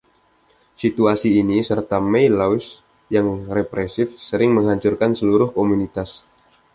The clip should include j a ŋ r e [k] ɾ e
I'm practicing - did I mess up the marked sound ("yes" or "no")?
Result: yes